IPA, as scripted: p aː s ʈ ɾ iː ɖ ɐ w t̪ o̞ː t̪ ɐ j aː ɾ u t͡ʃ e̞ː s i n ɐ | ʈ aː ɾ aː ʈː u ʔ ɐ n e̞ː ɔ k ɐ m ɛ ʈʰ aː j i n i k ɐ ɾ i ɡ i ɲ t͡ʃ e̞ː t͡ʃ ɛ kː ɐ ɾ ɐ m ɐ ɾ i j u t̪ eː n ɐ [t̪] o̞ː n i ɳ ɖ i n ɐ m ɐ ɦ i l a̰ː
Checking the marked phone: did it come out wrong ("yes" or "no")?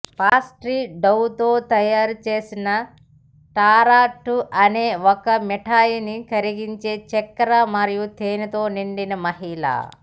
no